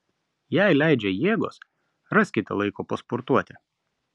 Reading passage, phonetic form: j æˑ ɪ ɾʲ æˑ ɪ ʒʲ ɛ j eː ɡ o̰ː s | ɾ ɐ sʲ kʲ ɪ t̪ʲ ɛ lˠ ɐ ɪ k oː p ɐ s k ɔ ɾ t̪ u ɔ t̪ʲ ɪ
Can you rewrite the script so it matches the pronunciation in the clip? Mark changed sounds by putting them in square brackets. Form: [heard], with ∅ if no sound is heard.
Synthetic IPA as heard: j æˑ ɪ [lʲ] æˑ ɪ [d͡ʒʲ] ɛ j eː ɡ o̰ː s | ɾ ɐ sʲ kʲ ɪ t̪ʲ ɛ lˠ ɐ ɪ k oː p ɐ s [p] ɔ ɾ t̪ u ɔ t̪ʲ ɪ